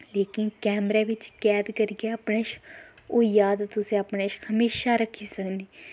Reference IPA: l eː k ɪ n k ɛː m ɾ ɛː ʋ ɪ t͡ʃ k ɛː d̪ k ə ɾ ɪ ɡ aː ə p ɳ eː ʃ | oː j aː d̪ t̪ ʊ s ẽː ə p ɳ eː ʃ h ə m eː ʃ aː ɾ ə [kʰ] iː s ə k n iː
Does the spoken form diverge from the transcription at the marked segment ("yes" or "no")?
no